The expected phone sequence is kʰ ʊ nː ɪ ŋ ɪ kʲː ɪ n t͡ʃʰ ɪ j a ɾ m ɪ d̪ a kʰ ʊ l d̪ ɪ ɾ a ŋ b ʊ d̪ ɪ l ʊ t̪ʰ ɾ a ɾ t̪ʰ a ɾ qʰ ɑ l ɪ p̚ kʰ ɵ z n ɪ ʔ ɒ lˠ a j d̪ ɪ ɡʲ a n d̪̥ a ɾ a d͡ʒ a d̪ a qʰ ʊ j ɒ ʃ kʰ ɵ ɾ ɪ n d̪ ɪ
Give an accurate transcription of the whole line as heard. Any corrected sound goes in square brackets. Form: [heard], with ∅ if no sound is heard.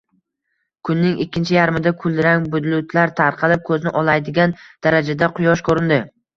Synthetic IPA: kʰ ʊ nː ɪ ŋ ɪ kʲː ɪ n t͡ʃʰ ɪ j a ɾ m ɪ d̪ a kʰ ʊ l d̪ ɪ ɾ a ŋ b ʊ d̪ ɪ l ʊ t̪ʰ [l] a ɾ t̪ʰ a ɾ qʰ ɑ l ɪ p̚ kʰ ɵ z n ɪ ʔ ɒ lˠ a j d̪ ɪ ɡʲ a n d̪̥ a ɾ a d͡ʒ a d̪ a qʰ ʊ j ɒ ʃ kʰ ɵ ɾ ɪ n d̪ ɪ